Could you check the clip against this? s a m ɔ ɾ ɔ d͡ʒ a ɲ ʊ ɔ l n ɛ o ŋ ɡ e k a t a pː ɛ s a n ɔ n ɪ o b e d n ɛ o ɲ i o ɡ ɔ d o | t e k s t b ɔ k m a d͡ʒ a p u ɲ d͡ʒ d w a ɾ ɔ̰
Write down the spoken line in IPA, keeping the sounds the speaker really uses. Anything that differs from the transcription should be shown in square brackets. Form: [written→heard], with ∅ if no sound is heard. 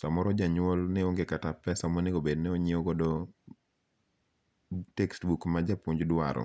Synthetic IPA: s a m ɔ ɾ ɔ d͡ʒ a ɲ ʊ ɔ l n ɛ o ŋ ɡ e k a t a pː ɛ s a [n→m] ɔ n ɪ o b e d n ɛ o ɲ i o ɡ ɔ d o | t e k s t b [ɔ→u] k m a d͡ʒ a p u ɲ d͡ʒ d w a ɾ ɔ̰